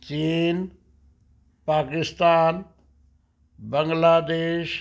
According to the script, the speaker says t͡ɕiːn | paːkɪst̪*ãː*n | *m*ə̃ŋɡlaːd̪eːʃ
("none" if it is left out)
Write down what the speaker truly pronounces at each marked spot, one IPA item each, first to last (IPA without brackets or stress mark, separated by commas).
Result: aː, b